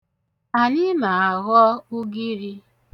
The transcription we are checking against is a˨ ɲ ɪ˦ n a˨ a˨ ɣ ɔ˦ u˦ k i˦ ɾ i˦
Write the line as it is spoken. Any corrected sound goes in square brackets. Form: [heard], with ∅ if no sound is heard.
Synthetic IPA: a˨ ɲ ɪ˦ [m] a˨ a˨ ɣ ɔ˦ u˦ [ɡ] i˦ ɾ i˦